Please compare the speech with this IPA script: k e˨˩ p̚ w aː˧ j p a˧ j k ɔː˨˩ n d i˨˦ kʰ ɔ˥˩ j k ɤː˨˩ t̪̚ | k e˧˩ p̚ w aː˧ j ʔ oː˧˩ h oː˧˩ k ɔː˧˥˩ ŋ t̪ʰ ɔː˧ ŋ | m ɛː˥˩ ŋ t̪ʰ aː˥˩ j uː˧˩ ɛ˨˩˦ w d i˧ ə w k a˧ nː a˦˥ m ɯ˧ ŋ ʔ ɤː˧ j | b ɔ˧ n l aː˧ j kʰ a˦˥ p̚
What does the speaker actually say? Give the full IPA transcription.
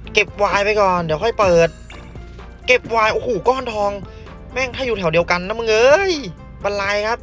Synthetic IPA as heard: k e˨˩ p̚ w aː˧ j p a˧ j k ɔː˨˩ n d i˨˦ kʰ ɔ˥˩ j p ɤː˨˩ t̪̚ | k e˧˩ p̚ w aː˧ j ʔ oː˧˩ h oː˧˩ k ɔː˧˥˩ n t̪ʰ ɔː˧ ŋ | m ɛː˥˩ ŋ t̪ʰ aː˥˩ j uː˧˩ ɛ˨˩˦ w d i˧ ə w k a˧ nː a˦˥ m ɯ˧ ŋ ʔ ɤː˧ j | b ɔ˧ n l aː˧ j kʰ a˦˥ p̚

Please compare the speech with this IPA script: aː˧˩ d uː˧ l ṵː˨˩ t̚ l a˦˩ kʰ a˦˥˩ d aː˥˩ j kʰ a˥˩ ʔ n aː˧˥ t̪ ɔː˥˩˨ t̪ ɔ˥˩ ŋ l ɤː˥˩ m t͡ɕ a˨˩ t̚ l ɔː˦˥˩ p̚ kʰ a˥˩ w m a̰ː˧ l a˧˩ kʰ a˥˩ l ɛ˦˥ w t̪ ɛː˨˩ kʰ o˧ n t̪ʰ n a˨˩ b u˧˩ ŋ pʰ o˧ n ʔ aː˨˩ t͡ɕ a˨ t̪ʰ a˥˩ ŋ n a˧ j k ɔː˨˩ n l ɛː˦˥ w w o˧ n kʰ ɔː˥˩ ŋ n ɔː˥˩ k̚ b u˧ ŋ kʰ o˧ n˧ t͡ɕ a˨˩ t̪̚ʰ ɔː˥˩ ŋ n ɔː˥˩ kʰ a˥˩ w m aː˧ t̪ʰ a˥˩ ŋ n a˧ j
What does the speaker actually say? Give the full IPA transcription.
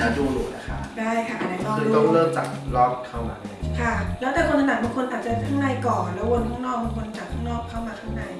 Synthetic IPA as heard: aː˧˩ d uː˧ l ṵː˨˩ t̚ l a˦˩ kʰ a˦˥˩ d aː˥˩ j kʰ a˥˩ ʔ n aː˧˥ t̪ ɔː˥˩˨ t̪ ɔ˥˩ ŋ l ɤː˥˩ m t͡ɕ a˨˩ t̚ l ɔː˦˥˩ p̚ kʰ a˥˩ w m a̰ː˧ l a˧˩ kʰ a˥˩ l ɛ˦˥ w t̪ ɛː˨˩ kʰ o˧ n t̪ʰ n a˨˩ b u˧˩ ŋ kʰ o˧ n ʔ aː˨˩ t͡ɕ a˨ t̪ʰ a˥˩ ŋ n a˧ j k ɔː˨˩ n l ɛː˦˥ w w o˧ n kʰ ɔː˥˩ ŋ n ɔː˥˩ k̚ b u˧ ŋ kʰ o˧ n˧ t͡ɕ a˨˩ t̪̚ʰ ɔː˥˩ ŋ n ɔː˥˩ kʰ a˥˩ w m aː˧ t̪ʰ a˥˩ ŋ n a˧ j

